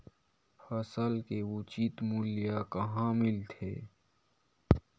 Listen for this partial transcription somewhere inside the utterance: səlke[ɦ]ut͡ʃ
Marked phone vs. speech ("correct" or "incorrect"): incorrect